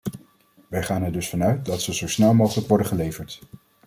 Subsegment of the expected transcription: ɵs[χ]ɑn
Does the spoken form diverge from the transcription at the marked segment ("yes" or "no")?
yes